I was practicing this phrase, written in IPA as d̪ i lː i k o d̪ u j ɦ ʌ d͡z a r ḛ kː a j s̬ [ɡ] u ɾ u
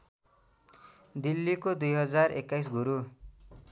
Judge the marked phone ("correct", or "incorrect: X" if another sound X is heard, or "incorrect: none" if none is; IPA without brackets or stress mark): correct